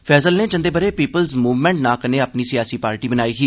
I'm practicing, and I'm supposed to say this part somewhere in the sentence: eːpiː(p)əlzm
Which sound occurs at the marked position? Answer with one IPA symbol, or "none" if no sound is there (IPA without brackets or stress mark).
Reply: p